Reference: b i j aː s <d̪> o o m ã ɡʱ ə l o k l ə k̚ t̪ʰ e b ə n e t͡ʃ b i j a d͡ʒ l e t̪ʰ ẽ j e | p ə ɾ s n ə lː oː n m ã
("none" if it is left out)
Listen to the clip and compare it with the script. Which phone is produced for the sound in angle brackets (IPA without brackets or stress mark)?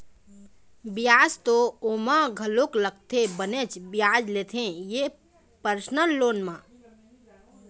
t̪